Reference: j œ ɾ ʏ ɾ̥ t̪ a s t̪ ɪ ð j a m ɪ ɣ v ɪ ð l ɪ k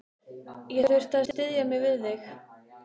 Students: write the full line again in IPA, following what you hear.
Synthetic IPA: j ɛ ɾ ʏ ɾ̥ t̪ a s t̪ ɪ ð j a m ɪ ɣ v ɪ ð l ɪ x